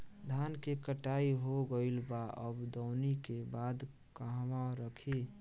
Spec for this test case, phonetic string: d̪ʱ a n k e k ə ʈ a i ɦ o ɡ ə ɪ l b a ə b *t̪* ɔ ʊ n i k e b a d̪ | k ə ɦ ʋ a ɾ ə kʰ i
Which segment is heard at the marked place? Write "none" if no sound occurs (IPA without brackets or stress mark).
d̪